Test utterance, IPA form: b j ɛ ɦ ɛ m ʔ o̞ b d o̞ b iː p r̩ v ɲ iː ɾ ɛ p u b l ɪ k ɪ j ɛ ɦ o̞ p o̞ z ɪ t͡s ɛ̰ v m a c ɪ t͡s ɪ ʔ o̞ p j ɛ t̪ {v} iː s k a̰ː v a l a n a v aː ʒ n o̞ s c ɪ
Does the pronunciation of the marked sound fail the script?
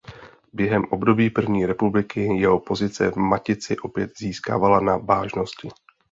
yes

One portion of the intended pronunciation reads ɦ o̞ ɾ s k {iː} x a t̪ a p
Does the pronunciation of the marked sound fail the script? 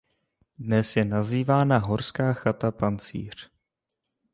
yes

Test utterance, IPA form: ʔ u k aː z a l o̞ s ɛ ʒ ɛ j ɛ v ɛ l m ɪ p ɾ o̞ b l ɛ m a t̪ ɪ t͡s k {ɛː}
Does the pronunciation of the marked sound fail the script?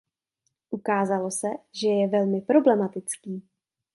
yes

